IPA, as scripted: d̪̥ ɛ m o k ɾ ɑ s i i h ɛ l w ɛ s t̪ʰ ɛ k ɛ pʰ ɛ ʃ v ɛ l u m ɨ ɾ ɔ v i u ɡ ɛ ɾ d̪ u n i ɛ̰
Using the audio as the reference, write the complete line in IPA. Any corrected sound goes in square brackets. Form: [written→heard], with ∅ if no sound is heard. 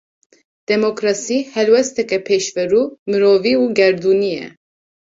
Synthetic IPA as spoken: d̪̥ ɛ m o k ɾ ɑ s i i h ɛ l w ɛ s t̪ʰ ɛ k ɛ pʰ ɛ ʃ v ɛ [l→ɾ] u m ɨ ɾ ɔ v i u ɡ ɛ ɾ d̪ u n i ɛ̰